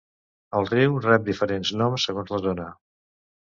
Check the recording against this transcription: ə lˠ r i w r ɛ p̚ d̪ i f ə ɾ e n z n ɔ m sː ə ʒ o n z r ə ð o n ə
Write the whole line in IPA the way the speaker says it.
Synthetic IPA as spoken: ə lˠ r i w r ɛ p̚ d̪ i f ə ɾ e n z n ɔ m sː ə ɣ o n z l ə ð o n ə